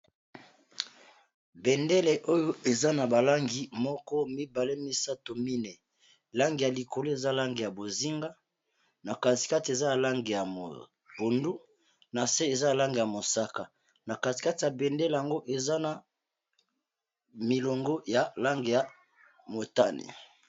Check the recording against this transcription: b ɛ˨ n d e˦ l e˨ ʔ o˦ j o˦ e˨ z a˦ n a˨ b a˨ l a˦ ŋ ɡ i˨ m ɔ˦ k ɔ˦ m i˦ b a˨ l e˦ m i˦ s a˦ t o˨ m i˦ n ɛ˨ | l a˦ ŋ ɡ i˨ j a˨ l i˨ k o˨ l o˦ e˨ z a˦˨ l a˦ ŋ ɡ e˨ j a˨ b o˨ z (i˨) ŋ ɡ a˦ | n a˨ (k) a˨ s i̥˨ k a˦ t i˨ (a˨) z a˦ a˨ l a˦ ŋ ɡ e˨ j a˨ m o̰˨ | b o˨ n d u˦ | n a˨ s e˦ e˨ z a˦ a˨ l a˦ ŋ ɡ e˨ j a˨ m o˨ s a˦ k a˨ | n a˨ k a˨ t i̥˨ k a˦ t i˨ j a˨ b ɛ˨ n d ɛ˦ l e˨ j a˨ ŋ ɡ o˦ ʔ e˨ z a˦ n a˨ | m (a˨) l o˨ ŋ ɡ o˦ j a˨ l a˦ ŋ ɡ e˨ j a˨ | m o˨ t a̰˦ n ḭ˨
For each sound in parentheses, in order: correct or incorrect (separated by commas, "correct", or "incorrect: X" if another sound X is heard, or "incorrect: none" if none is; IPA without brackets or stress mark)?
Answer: incorrect: i˦, correct, incorrect: e˨, incorrect: i˨